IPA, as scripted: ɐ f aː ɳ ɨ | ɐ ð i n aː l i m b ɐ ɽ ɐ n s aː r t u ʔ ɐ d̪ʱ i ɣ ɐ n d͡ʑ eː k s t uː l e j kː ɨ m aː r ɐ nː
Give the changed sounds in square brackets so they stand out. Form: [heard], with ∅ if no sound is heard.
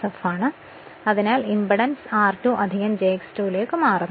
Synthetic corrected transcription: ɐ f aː ɳ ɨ | ɐ ð i n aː l i m b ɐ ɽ ɐ n s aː r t u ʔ ɐ d̪ʱ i ɣ ɐ [m] d͡ʑ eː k s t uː l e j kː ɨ m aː r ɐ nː